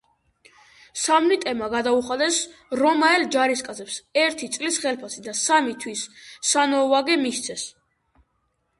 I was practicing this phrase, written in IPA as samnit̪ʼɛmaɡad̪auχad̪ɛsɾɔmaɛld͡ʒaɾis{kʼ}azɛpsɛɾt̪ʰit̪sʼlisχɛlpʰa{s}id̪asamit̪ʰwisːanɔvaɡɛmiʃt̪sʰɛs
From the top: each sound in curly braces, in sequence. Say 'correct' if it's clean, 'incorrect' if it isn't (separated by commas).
correct, correct